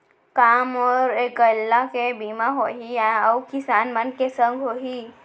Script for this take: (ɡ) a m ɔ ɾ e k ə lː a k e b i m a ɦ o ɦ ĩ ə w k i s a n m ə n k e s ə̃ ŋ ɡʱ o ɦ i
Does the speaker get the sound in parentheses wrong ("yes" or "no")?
yes